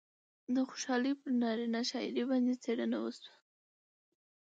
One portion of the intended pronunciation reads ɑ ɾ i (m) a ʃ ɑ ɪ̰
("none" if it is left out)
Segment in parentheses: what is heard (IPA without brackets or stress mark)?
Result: n